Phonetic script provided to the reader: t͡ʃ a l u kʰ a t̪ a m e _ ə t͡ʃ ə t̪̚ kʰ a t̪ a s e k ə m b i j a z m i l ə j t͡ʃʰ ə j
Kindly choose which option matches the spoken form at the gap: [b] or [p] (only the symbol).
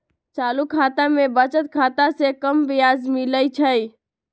b